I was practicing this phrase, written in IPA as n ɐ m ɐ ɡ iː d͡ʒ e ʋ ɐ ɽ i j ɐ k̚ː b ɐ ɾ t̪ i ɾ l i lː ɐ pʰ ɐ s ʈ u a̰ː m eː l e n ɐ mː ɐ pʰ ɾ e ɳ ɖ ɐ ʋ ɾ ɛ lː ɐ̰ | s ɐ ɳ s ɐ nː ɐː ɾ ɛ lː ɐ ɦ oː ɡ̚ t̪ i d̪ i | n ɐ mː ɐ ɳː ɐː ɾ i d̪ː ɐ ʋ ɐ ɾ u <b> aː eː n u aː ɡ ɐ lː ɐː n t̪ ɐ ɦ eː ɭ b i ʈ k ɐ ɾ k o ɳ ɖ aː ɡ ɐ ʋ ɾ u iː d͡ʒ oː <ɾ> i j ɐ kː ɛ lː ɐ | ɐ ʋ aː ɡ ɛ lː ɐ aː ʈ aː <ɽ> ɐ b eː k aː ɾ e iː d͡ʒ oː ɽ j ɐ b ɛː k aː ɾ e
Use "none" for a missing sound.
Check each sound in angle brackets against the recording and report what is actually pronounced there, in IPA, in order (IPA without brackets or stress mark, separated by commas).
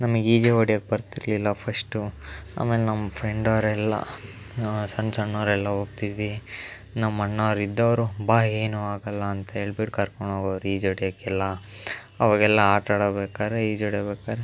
b, ɽ, ɽ